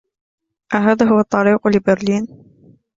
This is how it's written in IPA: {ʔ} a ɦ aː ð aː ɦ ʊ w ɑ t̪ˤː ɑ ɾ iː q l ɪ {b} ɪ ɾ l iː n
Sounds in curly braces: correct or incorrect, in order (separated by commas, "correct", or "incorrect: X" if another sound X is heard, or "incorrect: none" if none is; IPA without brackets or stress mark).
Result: correct, correct